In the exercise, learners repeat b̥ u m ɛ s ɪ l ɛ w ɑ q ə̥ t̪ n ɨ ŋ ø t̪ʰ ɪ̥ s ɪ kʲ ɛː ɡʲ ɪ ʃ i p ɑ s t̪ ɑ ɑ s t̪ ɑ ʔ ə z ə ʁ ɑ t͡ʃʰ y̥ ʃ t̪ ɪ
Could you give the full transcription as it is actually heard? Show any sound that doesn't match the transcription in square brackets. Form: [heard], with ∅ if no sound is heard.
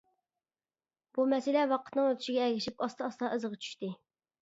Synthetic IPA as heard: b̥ u m ɛ s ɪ l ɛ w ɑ q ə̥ t̪ n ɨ ŋ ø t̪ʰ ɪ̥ [ʃ] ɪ [ɡʲ] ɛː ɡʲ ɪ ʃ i p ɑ s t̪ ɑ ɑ s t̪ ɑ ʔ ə z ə ʁ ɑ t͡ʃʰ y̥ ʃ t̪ ɪ